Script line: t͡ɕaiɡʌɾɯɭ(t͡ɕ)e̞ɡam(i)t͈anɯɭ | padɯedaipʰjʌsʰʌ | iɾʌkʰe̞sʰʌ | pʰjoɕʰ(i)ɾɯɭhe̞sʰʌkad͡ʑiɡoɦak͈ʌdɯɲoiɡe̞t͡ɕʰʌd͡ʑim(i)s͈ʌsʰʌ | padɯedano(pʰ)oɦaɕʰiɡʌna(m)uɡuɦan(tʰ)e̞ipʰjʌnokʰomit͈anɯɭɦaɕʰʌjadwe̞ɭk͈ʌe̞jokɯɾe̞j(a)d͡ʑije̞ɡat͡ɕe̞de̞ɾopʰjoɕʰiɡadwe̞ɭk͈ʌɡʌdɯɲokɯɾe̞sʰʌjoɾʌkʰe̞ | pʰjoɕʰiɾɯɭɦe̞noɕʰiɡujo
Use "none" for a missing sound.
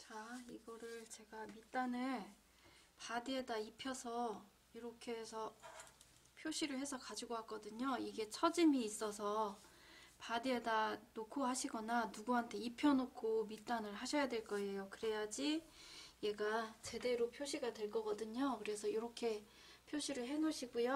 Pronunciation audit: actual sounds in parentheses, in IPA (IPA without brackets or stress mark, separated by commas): t͡ɕ, i, i, iː, kʰ, n, tʰ, a